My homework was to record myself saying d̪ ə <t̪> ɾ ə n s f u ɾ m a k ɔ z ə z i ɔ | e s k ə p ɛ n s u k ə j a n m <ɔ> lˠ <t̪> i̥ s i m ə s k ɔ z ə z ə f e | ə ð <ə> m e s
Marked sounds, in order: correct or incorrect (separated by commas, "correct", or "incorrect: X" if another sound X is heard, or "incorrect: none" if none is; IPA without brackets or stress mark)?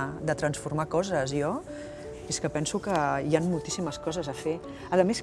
correct, incorrect: u, correct, correct